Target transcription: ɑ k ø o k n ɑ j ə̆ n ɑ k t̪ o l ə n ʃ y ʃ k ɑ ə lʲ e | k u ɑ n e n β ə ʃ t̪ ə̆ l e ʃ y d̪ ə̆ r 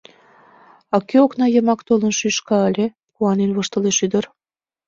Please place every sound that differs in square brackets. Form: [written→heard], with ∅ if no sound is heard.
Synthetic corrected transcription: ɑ k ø o k n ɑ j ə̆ [n→m] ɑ k t̪ o l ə n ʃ y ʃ k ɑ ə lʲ e | k u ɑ n e n β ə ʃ t̪ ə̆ l e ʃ y d̪ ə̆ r